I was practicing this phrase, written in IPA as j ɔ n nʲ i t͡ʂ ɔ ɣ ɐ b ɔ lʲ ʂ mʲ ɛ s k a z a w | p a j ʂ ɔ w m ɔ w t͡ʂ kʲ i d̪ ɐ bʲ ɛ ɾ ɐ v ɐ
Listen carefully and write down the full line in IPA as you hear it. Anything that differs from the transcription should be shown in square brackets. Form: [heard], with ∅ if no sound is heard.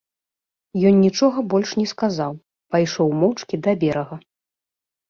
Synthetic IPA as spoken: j ɔ n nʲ i t͡ʂ ɔ ɣ ɐ b ɔ lʲ ʂ [nʲ] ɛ s k a z a w | p a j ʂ ɔ w m ɔ w t͡ʂ kʲ i d̪ ɐ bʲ ɛ ɾ ɐ [ɣ] ɐ